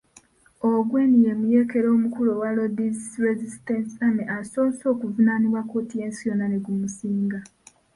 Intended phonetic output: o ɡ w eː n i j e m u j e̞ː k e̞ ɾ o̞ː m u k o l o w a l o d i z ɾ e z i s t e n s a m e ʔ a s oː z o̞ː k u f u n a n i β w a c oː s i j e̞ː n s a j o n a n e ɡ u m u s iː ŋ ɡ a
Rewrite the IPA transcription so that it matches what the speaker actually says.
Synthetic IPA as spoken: o ɡ w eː n i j e m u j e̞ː k e̞ ɾ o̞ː m u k u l o w a l o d i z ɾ e z i s t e n s a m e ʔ a s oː s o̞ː k u v u n a n i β w a k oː t i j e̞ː n s i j o n a n e ɡ u m u s iː ŋ ɡ a